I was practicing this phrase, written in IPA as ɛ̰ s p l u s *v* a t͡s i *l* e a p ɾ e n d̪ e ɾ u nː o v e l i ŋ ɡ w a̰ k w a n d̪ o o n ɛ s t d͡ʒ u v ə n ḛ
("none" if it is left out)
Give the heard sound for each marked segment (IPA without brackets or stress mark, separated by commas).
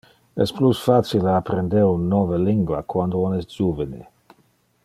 f, l